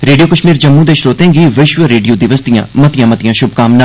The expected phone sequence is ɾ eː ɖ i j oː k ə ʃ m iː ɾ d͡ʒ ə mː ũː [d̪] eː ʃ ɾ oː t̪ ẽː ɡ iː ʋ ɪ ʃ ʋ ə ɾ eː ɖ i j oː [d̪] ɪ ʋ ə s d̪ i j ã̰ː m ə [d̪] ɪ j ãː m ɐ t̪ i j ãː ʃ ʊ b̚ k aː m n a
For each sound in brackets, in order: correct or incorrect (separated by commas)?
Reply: correct, correct, incorrect